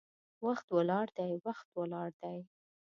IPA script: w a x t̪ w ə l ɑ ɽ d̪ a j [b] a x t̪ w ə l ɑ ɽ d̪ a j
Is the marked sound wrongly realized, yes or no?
yes